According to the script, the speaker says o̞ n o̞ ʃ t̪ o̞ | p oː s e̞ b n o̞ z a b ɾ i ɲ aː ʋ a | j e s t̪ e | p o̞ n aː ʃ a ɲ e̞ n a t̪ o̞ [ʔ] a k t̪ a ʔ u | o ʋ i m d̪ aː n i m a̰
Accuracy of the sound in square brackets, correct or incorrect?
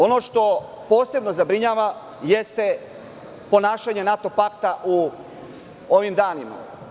incorrect